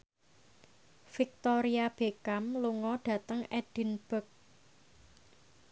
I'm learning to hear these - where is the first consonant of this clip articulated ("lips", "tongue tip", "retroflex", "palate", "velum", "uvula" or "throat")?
lips